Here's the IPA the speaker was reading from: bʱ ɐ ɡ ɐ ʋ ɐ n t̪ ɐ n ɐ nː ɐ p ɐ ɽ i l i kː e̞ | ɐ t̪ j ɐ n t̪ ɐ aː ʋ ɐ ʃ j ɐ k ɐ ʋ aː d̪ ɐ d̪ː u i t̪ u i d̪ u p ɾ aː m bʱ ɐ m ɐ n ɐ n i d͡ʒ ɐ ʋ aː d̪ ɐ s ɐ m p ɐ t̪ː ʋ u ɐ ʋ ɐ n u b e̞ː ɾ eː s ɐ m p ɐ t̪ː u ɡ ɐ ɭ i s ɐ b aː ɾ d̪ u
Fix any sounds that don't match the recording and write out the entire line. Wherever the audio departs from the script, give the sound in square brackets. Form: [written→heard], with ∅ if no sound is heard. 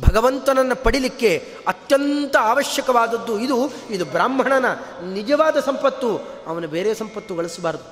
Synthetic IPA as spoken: bʱ ɐ ɡ ɐ ʋ ɐ n t̪ ɐ n ɐ nː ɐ p ɐ ɽ i l i kː e̞ | ɐ t̪ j ɐ n t̪ ɐ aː ʋ ɐ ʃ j ɐ k ɐ ʋ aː d̪ ɐ d̪ː u i [t̪→d̪] u i d̪ u [p→b] ɾ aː m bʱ ɐ [m→ɳ] ɐ n ɐ n i d͡ʒ ɐ ʋ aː d̪ ɐ s ɐ m p ɐ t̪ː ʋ u ɐ ʋ ɐ n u b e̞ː ɾ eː s ɐ m p ɐ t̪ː u ɡ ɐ ɭ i s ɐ b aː ɾ d̪ u